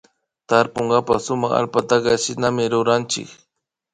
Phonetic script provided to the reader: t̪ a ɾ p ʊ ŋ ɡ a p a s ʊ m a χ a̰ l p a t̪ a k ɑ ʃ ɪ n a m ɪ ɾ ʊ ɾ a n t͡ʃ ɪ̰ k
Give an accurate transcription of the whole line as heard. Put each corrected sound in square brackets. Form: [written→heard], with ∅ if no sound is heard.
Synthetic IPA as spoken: t̪ a ɾ p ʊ ŋ ɡ a p a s ʊ m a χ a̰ l p a t̪ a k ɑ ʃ ɪ n a m ɪ ɾ ʊ ɾ a n t͡ʃ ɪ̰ k